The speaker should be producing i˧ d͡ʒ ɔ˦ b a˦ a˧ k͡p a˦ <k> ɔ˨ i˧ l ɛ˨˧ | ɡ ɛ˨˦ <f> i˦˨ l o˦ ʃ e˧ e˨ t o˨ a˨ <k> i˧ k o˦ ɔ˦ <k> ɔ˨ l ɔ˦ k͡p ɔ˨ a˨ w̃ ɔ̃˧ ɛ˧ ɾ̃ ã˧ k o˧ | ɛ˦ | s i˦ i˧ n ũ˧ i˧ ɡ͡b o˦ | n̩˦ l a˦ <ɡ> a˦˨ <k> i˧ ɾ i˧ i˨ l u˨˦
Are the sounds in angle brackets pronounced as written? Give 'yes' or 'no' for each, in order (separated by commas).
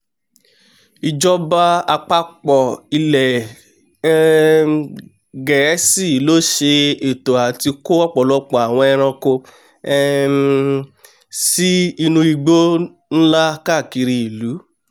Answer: no, no, no, no, no, yes